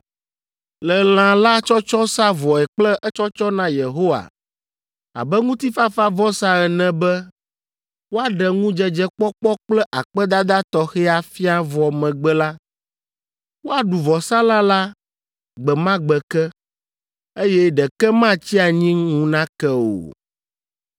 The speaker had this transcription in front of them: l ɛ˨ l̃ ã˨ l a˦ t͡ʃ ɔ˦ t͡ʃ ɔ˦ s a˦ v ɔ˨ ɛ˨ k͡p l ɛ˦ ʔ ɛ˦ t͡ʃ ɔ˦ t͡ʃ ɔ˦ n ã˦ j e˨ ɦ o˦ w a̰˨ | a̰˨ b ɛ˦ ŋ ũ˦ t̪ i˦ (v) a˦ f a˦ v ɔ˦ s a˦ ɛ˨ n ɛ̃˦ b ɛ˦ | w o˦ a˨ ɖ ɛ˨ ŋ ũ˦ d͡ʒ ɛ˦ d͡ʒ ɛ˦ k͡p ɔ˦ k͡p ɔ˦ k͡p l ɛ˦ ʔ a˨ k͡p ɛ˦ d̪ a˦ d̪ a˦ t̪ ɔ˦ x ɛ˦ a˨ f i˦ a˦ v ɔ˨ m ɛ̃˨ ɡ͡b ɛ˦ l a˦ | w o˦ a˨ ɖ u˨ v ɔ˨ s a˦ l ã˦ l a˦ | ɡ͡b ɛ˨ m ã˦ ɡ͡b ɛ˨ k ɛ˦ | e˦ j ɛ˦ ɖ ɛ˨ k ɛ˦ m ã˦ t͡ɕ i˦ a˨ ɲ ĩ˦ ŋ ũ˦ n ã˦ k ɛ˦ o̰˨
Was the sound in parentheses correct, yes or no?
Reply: no